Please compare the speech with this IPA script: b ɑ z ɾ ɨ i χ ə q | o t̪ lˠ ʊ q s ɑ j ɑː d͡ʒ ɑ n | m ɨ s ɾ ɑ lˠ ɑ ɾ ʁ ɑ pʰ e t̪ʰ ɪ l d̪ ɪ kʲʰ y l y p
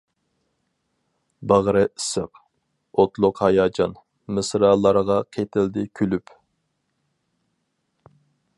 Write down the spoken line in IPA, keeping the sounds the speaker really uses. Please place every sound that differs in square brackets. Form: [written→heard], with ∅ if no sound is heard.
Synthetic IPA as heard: b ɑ [z→ʁ] ɾ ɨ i [χ→s] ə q | o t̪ lˠ ʊ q [s→h] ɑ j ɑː d͡ʒ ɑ n | m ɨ s ɾ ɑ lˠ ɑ ɾ ʁ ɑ [pʰ→qʰ] e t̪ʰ ɪ l d̪ ɪ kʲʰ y l y p